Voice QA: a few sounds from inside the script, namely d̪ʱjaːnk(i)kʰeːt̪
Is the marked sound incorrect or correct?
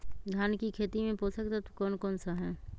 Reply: correct